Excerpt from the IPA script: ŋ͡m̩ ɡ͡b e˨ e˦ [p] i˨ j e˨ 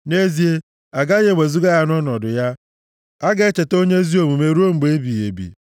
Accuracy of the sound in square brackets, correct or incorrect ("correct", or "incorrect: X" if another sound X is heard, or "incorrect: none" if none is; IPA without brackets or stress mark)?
incorrect: b